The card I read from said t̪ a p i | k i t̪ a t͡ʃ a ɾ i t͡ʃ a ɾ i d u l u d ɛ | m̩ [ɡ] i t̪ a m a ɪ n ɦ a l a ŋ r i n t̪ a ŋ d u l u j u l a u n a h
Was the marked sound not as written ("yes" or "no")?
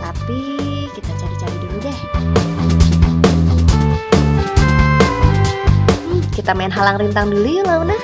yes